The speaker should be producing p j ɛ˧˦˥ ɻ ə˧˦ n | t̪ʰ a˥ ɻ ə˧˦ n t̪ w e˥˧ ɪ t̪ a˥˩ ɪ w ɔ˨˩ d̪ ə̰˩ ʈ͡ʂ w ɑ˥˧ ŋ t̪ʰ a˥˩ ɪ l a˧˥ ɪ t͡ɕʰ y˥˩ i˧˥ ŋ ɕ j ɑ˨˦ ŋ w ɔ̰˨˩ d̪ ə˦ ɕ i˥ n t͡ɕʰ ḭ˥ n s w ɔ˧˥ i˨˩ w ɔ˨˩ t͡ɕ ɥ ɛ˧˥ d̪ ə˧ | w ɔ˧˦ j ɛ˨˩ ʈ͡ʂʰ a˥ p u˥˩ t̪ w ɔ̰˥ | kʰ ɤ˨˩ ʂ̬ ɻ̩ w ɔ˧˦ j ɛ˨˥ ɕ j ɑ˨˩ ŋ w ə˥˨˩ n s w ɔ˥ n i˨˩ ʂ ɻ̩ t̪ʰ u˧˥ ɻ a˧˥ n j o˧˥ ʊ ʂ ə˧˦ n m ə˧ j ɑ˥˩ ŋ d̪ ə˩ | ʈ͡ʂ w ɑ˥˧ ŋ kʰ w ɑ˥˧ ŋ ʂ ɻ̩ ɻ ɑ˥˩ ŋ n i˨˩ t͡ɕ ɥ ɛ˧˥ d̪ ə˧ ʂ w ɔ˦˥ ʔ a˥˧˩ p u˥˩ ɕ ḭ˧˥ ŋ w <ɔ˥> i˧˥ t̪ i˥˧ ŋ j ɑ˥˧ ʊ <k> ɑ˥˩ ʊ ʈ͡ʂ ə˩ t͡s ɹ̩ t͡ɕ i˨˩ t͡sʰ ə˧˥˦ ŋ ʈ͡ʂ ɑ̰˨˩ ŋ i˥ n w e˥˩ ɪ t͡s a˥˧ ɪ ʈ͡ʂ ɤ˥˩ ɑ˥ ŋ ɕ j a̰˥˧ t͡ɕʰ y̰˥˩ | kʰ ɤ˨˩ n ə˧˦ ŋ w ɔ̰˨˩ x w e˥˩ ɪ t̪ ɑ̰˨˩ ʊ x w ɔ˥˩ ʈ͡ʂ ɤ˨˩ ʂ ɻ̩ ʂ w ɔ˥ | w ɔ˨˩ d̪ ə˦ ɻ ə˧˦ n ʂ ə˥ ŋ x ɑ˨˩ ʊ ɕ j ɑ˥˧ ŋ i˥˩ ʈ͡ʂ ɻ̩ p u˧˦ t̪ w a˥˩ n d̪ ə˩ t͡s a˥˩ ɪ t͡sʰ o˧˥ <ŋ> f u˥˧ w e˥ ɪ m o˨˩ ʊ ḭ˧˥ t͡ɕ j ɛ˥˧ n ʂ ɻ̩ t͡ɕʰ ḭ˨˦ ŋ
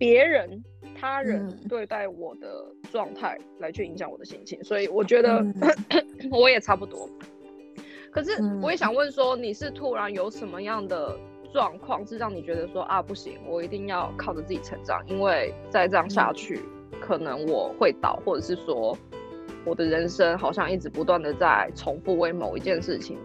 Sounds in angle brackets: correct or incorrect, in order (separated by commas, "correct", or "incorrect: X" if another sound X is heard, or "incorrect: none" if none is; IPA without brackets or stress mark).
incorrect: ɔ˨˩, incorrect: kʰ, correct